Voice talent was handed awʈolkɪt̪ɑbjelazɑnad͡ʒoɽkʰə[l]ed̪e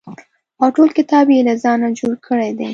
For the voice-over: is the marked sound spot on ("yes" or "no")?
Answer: no